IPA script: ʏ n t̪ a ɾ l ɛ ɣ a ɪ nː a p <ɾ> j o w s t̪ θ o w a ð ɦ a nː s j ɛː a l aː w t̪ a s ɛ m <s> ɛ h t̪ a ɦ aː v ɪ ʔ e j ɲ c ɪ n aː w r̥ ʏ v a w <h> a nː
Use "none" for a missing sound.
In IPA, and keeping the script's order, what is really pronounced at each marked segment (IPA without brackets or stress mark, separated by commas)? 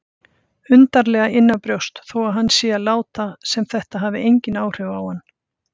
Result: ɾ, θ, h